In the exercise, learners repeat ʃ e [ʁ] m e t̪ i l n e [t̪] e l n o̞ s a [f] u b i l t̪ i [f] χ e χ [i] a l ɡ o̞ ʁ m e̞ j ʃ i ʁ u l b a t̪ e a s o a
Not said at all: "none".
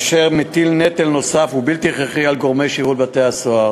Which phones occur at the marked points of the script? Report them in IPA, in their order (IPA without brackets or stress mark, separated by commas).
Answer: ʁ, t̪, f, none, i